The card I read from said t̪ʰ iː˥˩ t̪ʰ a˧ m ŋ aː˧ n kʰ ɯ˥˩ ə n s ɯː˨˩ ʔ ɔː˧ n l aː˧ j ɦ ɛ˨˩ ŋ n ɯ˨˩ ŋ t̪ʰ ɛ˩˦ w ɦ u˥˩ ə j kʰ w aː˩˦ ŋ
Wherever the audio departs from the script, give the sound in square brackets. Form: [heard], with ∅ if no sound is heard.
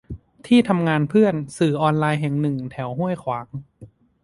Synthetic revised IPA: t̪ʰ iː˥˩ t̪ʰ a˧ m ŋ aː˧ n [pʰ] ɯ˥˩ ə n s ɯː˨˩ ʔ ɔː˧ n l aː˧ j ɦ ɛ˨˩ ŋ n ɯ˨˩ ŋ t̪ʰ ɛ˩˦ w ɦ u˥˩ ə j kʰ w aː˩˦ ŋ

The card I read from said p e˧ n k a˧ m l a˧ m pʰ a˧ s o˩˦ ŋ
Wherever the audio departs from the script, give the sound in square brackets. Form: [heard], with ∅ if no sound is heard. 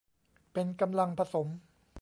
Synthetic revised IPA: p e˧ n k a˧ m l a˧ [ŋ] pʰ a˧ s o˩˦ [m]

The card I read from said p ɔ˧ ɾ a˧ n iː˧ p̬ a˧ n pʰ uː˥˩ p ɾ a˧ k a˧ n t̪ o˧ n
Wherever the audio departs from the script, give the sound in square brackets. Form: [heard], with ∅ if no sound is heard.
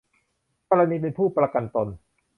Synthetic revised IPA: [k] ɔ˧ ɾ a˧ n iː˧ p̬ [e˧] n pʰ uː˥˩ p ɾ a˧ k a˧ n t̪ o˧ n

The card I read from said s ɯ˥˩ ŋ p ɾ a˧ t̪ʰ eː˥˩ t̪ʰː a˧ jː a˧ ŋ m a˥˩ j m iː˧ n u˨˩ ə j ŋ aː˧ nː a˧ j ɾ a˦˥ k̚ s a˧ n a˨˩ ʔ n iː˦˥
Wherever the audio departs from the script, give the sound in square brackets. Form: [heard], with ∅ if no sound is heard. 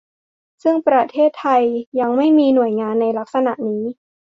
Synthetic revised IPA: s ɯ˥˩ ŋ p ɾ a˧ t̪ʰ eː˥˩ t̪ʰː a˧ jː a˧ ŋ m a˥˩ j m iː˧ n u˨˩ ə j ŋ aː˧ nː a˧ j [l] a˦˥ k̚ s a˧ n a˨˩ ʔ n iː˦˥

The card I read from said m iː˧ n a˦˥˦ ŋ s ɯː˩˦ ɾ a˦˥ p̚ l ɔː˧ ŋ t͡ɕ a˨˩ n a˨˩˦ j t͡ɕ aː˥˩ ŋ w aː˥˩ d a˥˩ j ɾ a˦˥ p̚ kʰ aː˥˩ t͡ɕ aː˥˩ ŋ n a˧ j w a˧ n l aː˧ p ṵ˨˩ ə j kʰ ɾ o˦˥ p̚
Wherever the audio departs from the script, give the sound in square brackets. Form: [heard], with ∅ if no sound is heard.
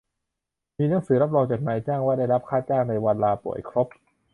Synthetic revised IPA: m iː˧ n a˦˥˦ ŋ s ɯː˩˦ ɾ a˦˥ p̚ [ɾ] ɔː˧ ŋ t͡ɕ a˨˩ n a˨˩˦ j t͡ɕ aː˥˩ ŋ w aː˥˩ d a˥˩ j ɾ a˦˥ p̚ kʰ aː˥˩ t͡ɕ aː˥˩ ŋ n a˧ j w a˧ n l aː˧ p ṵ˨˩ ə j kʰ ɾ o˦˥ p̚

